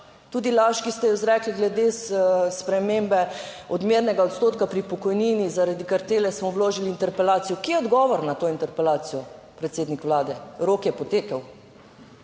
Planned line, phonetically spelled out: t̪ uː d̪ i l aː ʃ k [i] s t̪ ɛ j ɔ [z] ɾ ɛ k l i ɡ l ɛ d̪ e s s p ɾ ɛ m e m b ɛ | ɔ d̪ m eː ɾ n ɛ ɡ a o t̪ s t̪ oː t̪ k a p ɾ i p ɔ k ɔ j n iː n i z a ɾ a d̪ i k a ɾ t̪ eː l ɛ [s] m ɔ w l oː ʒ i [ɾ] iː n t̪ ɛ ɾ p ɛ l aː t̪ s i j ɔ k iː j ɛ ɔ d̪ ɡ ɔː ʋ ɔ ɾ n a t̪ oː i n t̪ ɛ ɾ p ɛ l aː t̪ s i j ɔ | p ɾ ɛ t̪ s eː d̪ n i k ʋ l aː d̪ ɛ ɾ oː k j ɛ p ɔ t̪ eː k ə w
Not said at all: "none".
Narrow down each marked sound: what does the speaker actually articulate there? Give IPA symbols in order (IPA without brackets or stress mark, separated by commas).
i, z, s, l